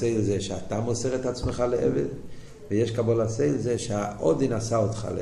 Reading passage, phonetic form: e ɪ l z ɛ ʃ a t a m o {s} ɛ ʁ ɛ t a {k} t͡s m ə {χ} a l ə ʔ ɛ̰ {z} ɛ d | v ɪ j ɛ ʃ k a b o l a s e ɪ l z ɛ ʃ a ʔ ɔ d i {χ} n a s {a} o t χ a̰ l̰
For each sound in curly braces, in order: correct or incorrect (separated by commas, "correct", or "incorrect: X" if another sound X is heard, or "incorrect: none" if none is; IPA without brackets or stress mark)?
correct, incorrect: none, correct, incorrect: v, incorrect: none, correct